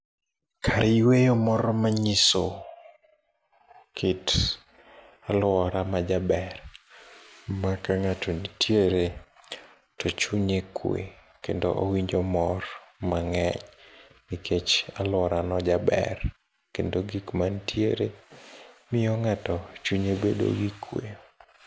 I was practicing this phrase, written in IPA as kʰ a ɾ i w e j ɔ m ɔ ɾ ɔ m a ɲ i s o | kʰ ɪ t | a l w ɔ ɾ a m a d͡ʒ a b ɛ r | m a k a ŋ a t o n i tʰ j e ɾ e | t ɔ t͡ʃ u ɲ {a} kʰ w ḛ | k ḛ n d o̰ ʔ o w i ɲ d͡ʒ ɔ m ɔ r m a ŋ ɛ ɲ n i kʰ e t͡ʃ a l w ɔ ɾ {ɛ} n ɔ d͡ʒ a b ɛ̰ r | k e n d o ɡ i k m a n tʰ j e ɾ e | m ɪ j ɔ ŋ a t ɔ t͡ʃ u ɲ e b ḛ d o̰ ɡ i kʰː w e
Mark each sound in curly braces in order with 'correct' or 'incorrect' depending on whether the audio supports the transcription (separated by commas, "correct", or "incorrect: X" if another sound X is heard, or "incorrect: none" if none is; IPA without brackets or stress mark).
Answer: incorrect: e, incorrect: a